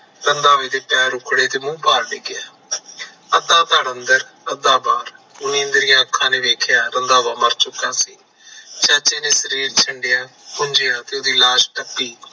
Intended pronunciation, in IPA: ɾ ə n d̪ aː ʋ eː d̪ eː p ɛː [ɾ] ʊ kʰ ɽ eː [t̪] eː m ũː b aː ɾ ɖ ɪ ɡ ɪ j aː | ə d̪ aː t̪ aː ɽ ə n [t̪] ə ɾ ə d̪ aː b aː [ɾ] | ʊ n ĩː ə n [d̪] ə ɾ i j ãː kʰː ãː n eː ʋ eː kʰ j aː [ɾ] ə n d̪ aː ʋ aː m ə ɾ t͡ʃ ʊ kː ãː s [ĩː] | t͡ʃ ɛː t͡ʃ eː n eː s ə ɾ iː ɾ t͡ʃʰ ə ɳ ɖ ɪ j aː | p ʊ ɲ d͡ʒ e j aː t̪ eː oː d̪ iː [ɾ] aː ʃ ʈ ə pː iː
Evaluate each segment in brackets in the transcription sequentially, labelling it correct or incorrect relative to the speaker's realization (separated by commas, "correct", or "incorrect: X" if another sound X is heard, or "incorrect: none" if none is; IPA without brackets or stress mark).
correct, correct, incorrect: d̪, correct, correct, correct, incorrect: iː, incorrect: l